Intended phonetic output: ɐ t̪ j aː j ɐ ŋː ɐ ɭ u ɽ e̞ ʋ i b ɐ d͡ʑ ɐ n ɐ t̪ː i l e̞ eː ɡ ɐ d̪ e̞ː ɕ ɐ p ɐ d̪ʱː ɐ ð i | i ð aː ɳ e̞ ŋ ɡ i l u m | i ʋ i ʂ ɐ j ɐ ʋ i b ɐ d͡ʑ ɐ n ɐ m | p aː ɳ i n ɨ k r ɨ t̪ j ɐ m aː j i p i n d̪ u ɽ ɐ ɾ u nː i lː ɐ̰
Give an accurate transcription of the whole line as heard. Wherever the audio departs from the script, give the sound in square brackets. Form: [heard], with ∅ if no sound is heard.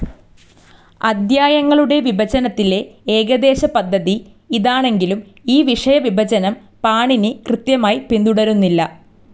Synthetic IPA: ɐ [d̪] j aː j ɐ ŋː ɐ ɭ u ɽ e̞ ʋ i b ɐ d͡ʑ ɐ n ɐ t̪ː i l e̞ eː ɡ ɐ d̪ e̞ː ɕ ɐ p ɐ d̪ʱː ɐ ð i | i ð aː ɳ e̞ ŋ ɡ i l u m | [iː] ʋ i ʂ ɐ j ɐ ʋ i b ɐ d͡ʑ ɐ n ɐ m | p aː ɳ i n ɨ k r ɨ t̪ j ɐ m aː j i p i n d̪ u ɽ ɐ ɾ u nː i lː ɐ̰